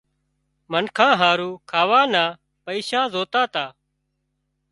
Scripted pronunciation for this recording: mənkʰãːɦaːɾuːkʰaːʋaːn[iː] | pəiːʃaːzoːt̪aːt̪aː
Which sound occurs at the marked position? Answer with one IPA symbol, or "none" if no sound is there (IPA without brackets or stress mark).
aː